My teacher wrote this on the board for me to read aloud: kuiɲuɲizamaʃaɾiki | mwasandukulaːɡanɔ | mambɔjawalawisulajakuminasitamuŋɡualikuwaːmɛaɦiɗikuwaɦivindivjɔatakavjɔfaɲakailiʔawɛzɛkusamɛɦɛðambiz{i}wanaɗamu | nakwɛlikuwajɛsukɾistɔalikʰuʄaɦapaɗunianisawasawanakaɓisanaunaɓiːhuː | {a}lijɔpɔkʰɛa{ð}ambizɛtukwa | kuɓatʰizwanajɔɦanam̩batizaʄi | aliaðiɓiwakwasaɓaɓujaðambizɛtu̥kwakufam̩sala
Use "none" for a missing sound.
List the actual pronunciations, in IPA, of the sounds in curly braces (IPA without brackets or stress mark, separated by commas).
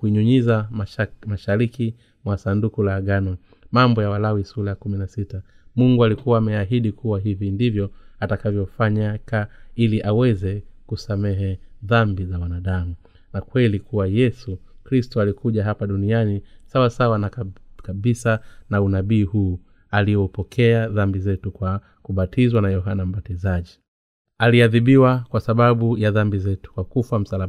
a, a, ð